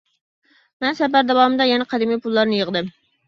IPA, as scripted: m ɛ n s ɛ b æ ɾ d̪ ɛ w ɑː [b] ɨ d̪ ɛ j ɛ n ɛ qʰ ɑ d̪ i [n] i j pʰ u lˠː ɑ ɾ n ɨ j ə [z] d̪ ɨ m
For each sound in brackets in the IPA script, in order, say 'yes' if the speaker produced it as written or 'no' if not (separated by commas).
no, no, no